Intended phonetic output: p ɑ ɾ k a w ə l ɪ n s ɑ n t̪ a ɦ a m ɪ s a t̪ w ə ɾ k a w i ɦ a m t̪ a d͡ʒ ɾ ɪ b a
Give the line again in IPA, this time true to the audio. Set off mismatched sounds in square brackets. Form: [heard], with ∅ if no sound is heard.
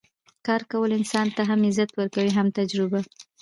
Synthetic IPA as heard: [k] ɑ ɾ k a w ə l ɪ n s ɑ n t̪ a ɦ a m ɪ [z] a t̪ w ə ɾ k a w i ɦ a m t̪ a d͡ʒ ɾ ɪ b a

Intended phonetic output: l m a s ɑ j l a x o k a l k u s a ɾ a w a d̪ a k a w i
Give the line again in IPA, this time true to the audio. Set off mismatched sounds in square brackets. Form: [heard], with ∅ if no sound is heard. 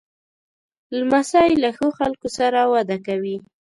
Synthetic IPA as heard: l m a s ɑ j l a x o [x] a l k [o] s a ɾ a w a d̪ a k a w i

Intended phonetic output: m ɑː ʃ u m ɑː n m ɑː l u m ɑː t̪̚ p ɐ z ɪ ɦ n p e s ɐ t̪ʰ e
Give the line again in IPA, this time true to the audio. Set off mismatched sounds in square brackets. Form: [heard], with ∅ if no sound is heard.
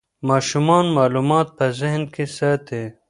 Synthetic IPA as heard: m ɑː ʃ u m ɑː n m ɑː l u m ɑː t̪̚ p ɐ z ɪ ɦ n [k] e s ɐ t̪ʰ e

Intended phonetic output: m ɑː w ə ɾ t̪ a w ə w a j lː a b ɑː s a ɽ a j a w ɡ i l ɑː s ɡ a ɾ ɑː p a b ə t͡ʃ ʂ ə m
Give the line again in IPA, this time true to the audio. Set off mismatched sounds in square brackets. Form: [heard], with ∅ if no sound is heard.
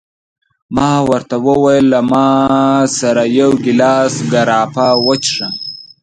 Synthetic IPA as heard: m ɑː w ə ɾ t̪ a w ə w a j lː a [m] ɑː s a [ɾ] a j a w ɡ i l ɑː s ɡ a ɾ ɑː p a [w] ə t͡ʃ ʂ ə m

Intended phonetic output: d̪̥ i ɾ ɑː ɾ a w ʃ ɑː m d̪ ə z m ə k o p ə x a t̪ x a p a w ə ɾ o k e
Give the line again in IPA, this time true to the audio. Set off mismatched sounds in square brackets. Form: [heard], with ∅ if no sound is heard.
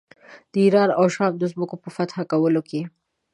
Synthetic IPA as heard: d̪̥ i ɾ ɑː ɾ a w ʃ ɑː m d̪ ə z m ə k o p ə [f] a t̪ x a [k] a w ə [l] o k e

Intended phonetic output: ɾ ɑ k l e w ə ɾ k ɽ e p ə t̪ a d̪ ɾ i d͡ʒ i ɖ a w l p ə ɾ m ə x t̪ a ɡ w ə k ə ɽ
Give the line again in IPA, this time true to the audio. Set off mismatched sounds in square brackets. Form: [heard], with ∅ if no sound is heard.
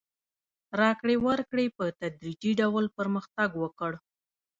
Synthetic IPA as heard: ɾ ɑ k [ɽ] e w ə ɾ k ɽ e p ə t̪ a d̪ ɾ i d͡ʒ i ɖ a w l p ə ɾ m ə x t̪ a ɡ w ə k ə ɽ

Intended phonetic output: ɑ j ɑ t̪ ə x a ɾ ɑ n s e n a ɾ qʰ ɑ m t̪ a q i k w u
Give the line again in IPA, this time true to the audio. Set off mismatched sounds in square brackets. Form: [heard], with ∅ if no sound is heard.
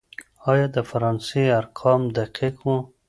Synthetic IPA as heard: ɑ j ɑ [d̪] ə [f] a ɾ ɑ n s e [∅] a ɾ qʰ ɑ m [d̪] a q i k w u

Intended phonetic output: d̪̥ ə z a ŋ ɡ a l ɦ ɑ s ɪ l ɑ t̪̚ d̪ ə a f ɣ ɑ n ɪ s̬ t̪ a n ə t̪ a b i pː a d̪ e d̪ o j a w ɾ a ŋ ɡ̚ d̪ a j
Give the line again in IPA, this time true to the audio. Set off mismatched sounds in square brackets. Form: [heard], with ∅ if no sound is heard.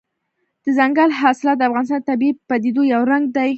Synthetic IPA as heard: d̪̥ ə z a ŋ ɡ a l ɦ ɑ s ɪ l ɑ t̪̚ d̪ ə a f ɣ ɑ n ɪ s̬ t̪ [ɑ] n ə t̪ a b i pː a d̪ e d̪ o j a w ɾ a ŋ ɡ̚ d̪ a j

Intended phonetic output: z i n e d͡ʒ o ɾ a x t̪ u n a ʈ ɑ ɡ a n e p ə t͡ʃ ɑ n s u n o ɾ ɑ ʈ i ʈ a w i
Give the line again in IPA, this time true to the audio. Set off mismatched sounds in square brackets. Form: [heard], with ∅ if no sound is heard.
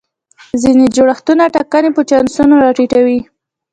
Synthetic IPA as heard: z i n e d͡ʒ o [ɽ] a x t̪ u n a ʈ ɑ [k] a n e p ə t͡ʃ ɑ n s u n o ɾ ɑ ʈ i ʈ a w i

